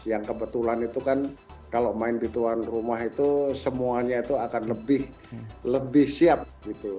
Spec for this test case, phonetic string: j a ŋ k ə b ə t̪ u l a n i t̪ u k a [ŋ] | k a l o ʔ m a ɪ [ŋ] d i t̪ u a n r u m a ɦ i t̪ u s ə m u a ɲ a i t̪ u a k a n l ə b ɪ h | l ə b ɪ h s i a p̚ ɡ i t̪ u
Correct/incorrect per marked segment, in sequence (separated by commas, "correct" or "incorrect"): incorrect, incorrect